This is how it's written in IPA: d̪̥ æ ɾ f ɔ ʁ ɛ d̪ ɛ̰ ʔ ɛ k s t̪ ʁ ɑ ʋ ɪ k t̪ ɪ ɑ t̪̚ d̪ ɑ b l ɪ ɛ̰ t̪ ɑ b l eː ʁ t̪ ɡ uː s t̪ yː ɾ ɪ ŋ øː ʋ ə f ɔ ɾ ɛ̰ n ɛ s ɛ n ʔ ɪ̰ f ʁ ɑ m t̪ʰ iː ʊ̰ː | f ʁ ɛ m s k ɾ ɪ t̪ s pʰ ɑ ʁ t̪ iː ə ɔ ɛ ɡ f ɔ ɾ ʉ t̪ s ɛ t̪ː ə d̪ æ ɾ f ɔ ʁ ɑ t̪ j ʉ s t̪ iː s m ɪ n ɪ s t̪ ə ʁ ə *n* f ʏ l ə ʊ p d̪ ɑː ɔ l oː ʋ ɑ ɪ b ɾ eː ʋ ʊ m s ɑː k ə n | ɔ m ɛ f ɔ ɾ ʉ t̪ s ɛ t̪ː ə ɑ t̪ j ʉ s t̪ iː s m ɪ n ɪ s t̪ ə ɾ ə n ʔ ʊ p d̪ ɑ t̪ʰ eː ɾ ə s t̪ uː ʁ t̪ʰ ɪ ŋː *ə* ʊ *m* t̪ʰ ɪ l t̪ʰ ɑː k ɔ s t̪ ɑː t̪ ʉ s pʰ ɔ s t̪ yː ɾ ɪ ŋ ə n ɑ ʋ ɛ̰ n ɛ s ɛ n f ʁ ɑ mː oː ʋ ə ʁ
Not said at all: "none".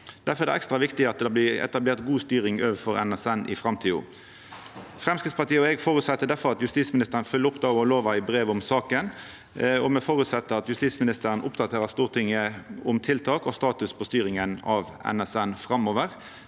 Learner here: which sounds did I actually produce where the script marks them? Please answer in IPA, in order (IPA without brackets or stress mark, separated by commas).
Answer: n, ə, m